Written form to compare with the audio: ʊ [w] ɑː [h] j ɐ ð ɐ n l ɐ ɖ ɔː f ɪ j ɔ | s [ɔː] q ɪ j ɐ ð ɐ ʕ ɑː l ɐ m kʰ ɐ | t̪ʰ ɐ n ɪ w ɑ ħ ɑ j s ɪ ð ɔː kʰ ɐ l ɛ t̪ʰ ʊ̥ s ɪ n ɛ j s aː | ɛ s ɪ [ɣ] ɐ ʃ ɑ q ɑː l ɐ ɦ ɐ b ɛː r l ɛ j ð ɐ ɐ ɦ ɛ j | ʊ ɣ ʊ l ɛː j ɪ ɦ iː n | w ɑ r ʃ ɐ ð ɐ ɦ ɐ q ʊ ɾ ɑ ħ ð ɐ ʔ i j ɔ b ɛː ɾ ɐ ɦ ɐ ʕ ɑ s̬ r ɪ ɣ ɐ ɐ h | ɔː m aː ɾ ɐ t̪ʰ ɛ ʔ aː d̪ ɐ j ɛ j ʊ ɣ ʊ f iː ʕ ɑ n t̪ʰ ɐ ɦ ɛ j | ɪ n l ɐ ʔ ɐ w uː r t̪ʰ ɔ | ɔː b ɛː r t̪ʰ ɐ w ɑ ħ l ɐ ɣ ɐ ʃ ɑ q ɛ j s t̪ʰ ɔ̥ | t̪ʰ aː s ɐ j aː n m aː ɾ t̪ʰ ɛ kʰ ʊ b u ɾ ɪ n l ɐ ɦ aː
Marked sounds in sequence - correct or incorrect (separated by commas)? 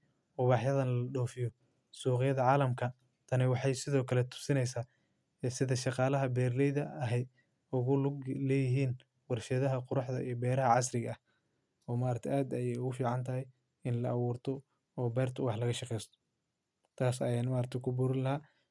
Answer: incorrect, incorrect, incorrect, incorrect